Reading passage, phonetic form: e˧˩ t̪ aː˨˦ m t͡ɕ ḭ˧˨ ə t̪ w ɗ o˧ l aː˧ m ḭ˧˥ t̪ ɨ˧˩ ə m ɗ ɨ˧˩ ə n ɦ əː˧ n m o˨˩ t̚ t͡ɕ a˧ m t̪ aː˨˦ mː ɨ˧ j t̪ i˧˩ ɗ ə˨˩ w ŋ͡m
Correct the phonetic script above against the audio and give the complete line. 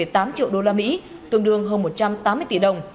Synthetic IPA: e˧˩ t̪ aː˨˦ m t͡ɕ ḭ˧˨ ə w ɗ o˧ l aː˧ m ḭ˧˥ t̪ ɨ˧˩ ə ŋ ɗ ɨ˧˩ ə ŋ ɦ əː˧ n m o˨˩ t̚ t͡ɕ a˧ m t̪ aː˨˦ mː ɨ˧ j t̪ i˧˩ ɗ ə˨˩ w ŋ͡m